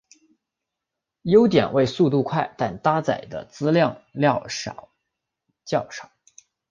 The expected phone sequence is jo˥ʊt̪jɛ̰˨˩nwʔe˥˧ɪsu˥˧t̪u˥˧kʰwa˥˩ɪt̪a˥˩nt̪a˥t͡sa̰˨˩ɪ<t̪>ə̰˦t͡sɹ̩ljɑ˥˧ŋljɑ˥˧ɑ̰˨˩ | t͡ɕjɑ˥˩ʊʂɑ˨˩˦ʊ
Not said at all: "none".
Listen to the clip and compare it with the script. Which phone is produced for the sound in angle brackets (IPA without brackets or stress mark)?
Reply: d̪